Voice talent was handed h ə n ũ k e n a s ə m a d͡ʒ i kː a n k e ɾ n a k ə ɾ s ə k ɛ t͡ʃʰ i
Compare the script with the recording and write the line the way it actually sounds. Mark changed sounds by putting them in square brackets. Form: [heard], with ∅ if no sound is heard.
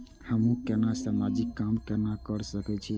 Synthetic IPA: h ə [m] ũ k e n a s [a] m a d͡ʒ i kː a [m] k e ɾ n a k ə ɾ s ə k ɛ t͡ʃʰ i